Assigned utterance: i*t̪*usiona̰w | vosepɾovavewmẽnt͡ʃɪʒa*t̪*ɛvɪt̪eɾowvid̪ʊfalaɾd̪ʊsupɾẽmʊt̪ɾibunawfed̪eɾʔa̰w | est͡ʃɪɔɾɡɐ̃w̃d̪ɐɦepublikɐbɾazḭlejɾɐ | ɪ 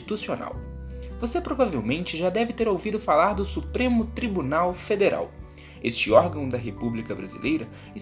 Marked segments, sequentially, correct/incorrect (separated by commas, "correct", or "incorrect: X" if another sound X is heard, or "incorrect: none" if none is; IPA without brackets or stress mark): correct, incorrect: d̪